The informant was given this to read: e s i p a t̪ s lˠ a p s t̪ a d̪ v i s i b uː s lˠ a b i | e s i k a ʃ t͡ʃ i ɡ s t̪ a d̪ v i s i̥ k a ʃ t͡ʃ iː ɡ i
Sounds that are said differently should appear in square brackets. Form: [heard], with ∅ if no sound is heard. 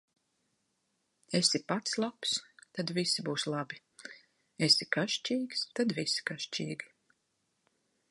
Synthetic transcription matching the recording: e s i p a t̪ s lˠ a p s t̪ a d̪ v i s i b uː s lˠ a b i | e s i k a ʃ t͡ʃ [iː] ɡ s t̪ a d̪ v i s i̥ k a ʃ t͡ʃ iː ɡ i